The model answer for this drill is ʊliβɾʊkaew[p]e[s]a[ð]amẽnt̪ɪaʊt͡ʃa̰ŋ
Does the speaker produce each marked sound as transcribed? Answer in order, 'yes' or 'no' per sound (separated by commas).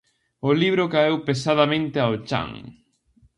yes, yes, yes